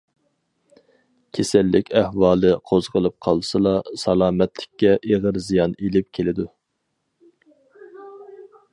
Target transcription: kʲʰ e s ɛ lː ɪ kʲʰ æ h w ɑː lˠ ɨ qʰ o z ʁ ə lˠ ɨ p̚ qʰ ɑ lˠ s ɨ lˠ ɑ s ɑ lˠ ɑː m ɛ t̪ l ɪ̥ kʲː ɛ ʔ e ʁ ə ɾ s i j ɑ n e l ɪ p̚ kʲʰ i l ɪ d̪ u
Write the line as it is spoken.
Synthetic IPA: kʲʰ e s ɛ lː ɪ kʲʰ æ h w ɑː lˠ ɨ qʰ o z ʁ ə lˠ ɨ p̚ qʰ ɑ lˠ s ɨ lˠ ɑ s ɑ lˠ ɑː m ɛ t̪ l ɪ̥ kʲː ɛ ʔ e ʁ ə ɾ z i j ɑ n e l ɪ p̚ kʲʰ e l ɪ d̪ u